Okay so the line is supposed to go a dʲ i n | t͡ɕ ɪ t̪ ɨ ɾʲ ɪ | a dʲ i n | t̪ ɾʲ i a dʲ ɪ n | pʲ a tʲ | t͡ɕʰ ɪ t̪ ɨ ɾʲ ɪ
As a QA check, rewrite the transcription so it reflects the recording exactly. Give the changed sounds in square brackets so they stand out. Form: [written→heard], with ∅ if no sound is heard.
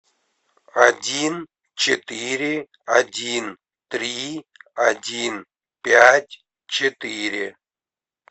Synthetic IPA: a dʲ i n | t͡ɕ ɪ t̪ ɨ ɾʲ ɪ | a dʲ i n | t̪ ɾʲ i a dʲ [ɪ→i] n | pʲ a tʲ | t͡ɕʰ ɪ t̪ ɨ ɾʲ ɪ